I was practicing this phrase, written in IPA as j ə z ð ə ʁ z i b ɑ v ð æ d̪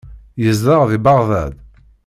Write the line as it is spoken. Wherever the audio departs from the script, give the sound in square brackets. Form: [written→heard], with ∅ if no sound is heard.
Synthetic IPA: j ə z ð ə ʁ [z→ð] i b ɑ [v→ʁ] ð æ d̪